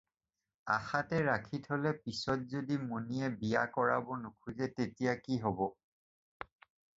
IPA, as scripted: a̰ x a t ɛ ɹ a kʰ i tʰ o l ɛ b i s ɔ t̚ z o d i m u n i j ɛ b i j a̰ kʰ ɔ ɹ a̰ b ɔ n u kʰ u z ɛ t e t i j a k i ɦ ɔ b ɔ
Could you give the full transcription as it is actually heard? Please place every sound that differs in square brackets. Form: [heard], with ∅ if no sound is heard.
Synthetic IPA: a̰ x a t ɛ ɹ a kʰ i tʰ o l ɛ [p] i s ɔ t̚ z o d i m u n i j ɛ b i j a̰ [k] ɔ ɹ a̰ b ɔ n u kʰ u z ɛ t e t i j a k i ɦ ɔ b ɔ